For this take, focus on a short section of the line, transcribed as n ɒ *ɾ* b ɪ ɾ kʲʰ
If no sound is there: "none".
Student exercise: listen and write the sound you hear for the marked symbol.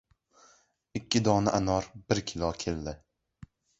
ɾ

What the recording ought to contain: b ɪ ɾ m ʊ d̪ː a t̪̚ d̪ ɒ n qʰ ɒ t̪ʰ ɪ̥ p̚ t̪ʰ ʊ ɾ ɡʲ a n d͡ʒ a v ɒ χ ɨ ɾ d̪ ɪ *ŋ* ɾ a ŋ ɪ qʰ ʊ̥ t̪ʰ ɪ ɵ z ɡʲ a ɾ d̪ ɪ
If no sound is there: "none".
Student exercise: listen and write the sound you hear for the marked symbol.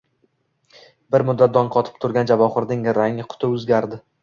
ŋ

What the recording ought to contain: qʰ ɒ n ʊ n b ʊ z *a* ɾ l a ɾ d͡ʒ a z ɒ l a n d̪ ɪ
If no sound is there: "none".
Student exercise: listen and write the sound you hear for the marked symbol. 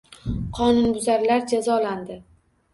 a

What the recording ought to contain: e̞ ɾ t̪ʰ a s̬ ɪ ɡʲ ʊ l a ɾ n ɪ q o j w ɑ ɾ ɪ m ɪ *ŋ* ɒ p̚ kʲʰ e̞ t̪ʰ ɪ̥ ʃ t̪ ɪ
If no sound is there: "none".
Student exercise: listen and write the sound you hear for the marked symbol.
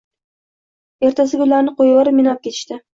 n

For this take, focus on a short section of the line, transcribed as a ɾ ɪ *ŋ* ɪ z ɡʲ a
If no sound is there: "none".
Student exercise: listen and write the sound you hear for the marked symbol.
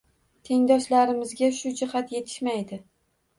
m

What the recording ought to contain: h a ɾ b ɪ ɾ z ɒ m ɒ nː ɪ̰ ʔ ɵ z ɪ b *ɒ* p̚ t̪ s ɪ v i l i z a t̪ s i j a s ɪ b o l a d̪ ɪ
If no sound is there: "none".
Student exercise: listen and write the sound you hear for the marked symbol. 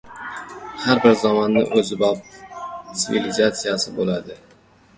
ɒ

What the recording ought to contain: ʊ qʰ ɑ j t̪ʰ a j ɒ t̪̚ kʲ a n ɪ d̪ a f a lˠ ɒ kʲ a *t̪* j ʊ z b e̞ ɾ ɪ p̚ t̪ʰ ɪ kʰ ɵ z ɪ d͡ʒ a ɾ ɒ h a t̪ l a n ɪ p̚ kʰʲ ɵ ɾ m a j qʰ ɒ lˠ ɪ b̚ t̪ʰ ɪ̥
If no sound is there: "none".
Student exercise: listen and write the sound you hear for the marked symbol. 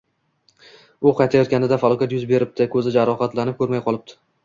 t̪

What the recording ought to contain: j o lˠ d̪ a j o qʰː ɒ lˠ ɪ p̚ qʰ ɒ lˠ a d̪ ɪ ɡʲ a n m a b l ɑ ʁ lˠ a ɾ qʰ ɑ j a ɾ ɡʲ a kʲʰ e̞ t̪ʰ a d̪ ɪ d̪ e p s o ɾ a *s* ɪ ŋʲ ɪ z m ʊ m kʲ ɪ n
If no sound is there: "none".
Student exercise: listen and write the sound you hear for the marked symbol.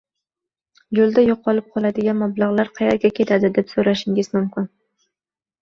ʃ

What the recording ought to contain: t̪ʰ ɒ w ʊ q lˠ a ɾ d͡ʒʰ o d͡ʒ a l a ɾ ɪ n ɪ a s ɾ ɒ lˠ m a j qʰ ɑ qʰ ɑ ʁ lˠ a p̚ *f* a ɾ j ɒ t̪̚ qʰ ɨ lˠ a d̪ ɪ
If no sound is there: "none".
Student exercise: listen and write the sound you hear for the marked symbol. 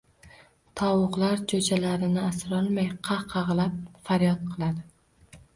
f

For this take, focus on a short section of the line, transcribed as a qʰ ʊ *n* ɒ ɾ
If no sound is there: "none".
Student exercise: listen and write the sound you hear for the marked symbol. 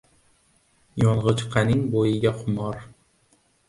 m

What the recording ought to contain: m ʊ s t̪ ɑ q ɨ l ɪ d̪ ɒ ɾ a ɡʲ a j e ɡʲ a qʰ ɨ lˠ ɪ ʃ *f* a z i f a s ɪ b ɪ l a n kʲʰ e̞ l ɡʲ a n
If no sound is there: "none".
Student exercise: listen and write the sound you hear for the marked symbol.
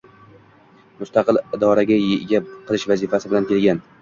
v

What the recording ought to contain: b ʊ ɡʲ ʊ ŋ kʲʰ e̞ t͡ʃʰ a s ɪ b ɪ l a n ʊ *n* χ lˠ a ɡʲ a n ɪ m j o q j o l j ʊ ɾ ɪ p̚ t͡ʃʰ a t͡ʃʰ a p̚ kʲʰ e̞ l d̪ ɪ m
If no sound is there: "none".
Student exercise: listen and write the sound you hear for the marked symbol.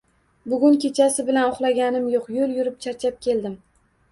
none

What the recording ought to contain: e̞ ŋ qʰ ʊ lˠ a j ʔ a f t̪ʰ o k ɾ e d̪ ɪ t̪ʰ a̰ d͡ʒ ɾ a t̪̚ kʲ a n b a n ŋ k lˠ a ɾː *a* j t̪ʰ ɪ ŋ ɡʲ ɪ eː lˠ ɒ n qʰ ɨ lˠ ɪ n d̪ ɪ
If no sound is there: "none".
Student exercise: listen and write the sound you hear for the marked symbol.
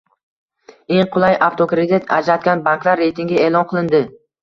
e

